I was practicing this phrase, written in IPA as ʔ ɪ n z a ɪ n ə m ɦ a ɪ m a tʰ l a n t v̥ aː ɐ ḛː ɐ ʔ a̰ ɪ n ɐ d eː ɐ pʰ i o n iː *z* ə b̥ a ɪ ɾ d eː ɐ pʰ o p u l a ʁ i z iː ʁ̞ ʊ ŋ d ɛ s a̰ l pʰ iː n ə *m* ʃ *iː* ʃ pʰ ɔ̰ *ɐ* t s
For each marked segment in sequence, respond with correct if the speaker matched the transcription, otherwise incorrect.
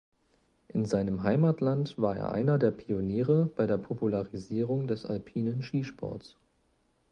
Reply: incorrect: ʁ, incorrect: n, correct, correct

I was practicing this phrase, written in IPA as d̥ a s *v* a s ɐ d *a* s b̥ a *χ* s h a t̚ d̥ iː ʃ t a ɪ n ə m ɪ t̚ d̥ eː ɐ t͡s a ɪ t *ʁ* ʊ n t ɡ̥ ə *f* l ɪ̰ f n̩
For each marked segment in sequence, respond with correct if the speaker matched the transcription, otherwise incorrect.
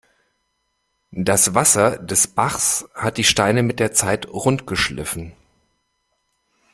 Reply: correct, incorrect: ɛ, correct, correct, incorrect: ʃ

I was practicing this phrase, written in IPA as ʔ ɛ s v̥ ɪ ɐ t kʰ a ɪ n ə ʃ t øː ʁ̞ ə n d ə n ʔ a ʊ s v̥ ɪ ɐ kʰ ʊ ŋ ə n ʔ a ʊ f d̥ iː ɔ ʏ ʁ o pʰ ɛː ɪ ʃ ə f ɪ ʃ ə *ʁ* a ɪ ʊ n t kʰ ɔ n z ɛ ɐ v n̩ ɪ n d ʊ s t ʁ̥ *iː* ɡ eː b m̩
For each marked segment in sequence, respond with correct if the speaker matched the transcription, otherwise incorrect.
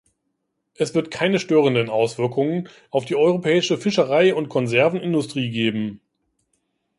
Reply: correct, correct

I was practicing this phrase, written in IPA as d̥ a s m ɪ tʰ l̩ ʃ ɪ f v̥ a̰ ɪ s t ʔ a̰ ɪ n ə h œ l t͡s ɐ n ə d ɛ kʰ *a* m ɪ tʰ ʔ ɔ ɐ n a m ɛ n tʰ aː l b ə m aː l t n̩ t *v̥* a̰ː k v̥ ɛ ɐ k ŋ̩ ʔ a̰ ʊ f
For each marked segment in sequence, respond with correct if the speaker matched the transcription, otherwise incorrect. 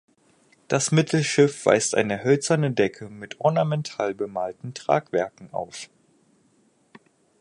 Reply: incorrect: ə, incorrect: ʁ̥

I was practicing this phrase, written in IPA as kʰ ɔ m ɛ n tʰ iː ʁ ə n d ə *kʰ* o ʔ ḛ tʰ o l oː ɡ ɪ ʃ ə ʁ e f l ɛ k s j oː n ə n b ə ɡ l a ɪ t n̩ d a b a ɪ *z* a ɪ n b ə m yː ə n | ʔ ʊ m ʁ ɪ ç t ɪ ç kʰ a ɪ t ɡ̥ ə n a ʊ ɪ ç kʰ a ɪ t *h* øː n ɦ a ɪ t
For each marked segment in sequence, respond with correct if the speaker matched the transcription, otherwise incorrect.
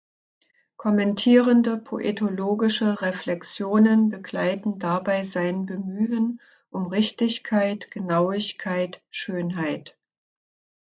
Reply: incorrect: pʰ, correct, incorrect: ʃ

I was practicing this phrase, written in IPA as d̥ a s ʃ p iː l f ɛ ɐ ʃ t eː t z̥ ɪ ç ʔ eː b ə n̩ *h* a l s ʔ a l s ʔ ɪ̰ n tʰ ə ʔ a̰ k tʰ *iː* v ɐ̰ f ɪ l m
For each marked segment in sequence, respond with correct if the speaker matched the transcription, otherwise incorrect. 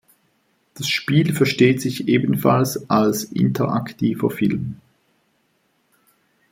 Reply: incorrect: f, correct

